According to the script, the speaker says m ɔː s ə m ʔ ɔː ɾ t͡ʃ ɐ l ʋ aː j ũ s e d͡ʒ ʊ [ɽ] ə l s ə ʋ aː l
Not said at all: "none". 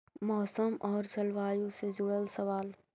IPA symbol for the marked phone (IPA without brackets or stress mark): ɽ